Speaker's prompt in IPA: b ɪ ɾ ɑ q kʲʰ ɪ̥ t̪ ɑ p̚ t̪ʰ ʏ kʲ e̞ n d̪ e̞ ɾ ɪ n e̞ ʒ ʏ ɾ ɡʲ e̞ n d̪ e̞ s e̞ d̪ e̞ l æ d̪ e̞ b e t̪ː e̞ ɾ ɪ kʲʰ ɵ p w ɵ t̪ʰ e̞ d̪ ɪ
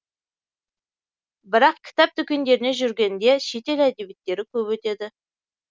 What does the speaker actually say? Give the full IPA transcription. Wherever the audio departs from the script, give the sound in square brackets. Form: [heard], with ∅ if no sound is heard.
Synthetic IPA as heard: b ɪ ɾ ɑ q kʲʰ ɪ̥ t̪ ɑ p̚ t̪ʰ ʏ kʲ e̞ n d̪ e̞ ɾ ɪ n e̞ ʒ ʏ ɾ ɡʲ e̞ n d̪ e̞ [ʃ] e̞ [t̪] e̞ l æ d̪ e̞ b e t̪ː e̞ ɾ ɪ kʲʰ ɵ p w ɵ [t̪] e̞ d̪ ɪ